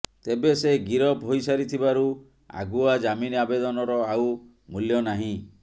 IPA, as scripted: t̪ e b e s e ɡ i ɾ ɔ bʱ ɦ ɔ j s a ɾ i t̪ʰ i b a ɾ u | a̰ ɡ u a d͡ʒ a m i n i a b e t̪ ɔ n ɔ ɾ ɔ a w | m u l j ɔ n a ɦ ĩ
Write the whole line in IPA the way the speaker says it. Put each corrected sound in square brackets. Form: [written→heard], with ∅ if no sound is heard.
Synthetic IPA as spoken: t̪ e b e s e ɡ i ɾ ɔ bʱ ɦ [ɔ→o] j s a ɾ i t̪ʰ i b a ɾ u | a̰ ɡ u a d͡ʒ a m i n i a b e [t̪→d̪] ɔ n ɔ ɾ ɔ a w | m u l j ɔ n a ɦ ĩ